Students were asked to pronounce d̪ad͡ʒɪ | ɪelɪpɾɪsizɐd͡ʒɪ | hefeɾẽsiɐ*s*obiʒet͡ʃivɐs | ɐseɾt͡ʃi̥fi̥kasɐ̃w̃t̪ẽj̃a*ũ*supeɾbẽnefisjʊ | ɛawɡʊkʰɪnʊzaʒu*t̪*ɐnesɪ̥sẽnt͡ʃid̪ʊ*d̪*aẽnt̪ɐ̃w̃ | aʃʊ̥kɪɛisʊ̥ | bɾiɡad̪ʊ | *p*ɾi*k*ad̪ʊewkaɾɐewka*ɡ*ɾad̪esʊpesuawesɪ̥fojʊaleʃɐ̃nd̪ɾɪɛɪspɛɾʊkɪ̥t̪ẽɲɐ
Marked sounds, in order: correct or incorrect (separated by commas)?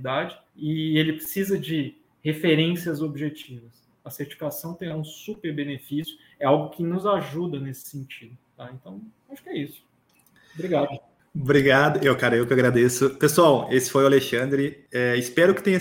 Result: incorrect, correct, incorrect, incorrect, incorrect, incorrect, correct